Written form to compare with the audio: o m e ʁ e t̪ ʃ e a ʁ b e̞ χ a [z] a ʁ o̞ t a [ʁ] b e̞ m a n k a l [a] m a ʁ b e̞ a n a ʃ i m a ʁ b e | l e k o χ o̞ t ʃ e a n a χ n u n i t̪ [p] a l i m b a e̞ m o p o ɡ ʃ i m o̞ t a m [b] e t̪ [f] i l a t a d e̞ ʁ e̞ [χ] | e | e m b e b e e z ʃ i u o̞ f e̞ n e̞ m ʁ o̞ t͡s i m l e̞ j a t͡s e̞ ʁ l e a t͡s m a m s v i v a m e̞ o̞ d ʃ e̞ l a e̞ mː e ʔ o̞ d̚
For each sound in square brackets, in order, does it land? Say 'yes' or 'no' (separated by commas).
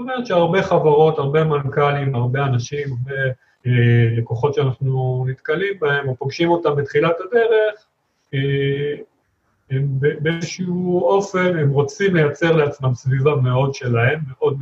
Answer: no, yes, no, no, yes, no, yes